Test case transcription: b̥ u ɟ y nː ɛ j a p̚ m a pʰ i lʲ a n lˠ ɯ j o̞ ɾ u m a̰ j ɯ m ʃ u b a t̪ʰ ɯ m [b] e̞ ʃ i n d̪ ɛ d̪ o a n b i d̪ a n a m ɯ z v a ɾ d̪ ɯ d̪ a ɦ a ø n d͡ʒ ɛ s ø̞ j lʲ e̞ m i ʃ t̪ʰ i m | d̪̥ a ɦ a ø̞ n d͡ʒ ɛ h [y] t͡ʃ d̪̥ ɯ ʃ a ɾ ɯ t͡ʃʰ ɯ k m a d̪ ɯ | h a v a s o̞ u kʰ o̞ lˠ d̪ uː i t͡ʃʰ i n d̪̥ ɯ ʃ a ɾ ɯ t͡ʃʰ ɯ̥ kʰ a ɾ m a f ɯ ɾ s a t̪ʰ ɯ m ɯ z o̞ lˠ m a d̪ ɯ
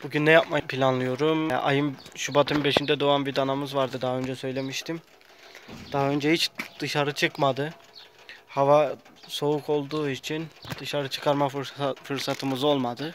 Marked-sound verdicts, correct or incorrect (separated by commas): correct, incorrect